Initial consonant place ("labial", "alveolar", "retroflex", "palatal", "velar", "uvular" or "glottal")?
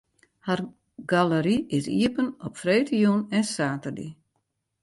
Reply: glottal